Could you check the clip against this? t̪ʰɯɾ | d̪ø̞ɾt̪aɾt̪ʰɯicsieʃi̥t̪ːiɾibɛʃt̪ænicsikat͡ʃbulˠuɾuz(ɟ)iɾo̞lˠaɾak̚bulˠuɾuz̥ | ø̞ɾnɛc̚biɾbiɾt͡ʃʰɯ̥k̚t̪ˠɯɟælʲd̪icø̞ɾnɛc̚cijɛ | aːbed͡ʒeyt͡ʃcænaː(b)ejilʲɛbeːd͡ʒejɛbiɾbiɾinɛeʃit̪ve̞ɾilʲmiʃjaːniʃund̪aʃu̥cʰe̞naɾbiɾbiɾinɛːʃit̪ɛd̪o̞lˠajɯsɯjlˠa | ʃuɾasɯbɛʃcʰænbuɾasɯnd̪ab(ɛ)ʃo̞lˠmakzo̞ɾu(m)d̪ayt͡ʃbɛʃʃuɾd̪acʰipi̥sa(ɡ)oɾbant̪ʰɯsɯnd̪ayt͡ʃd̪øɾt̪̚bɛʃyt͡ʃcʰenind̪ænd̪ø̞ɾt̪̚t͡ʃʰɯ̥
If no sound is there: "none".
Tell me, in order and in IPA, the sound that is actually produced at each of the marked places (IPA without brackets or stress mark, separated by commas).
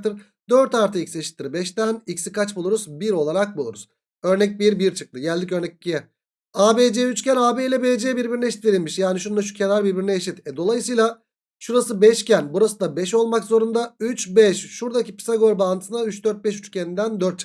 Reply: b, b, ɛ, n, ɡ